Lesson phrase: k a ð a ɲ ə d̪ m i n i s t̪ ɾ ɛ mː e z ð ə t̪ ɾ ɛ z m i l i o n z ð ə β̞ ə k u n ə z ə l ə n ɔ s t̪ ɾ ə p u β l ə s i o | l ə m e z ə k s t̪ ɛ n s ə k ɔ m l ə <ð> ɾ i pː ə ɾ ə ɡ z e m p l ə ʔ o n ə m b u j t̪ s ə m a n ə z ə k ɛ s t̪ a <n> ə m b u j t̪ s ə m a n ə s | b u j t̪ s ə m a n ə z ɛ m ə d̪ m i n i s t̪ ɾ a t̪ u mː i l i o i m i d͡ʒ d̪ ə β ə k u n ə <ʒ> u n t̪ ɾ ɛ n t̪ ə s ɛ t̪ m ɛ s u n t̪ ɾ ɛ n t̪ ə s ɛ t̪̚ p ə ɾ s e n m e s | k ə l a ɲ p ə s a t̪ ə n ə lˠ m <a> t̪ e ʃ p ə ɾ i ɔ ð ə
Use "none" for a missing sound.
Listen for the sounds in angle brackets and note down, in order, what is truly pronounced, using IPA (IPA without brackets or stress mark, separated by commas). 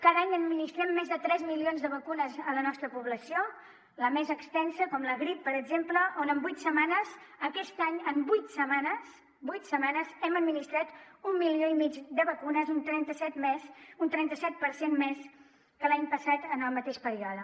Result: ɣ, ɲ, z, ə